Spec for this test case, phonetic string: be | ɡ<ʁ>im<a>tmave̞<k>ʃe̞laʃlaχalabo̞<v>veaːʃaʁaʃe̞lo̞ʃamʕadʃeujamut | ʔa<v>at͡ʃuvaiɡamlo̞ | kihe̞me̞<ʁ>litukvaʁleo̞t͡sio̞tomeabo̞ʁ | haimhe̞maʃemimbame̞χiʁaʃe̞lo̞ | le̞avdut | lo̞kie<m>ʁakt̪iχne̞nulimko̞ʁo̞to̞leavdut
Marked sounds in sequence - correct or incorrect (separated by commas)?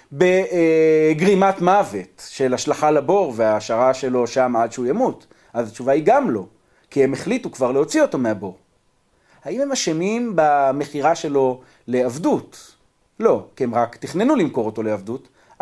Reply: correct, correct, incorrect, incorrect, incorrect, incorrect, correct